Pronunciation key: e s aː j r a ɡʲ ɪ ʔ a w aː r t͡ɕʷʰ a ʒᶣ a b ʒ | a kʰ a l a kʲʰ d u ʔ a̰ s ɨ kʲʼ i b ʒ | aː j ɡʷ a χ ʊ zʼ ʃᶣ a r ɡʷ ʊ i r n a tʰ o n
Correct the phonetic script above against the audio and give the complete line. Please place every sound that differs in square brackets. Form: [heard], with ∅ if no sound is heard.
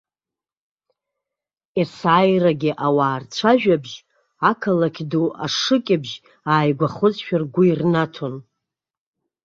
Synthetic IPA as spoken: e s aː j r a ɡʲ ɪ ʔ a w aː r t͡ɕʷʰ a ʒᶣ a b ʒ | a kʰ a l a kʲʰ d u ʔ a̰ [ʂ] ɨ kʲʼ [ɪ] b ʒ | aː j ɡʷ a χ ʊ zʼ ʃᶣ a r ɡʷ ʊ i r n a tʰ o n